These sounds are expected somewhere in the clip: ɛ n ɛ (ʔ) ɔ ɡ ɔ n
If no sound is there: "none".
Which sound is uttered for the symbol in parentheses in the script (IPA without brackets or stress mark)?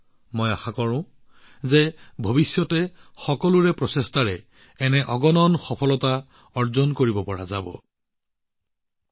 ʔ